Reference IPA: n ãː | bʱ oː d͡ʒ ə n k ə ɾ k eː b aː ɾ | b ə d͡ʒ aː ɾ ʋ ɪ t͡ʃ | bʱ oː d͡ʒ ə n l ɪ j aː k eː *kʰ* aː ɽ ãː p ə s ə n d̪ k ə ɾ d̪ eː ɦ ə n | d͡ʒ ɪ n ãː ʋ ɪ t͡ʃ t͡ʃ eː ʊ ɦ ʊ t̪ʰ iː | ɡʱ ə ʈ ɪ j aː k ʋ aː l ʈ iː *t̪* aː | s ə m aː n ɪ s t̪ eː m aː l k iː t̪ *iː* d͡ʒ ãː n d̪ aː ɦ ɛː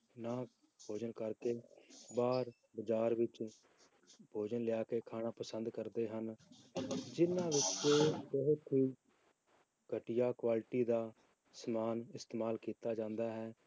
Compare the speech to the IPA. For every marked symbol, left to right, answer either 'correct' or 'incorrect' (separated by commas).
correct, incorrect, incorrect